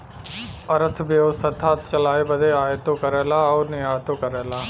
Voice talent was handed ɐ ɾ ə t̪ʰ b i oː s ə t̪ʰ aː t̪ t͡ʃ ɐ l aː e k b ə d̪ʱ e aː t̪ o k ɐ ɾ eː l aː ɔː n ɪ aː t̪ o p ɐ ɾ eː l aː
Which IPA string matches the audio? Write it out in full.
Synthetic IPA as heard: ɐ ɾ ə t̪ʰ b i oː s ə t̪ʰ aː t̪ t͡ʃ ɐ l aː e b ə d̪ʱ e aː t̪ o k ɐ ɾ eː l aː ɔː n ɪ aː t̪ o k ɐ ɾ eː l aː